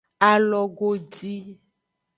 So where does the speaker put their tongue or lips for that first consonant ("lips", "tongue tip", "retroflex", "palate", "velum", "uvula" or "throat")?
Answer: tongue tip